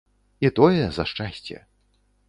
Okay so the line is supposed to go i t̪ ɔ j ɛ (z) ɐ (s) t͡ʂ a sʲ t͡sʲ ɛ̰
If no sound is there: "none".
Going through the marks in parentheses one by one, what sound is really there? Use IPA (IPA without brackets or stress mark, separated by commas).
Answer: z, ʂ